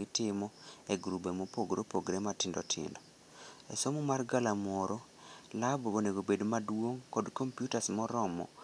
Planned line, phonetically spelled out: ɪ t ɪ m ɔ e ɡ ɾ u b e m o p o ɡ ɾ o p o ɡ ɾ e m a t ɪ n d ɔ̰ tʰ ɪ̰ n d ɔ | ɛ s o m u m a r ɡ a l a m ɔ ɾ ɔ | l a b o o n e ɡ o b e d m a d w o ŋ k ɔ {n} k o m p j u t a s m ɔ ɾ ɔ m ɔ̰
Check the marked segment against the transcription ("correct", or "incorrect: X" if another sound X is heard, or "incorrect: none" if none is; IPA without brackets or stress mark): incorrect: d